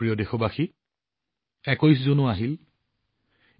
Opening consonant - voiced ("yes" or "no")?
yes